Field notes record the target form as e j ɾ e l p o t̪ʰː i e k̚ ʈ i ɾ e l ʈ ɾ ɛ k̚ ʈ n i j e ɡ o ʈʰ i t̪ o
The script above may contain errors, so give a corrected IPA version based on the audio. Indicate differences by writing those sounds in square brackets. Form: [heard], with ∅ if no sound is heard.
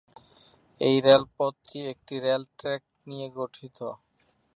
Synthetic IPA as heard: e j ɾ e l p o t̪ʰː i e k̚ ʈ i ɾ e l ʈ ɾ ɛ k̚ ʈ n i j e ɡ o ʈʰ i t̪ o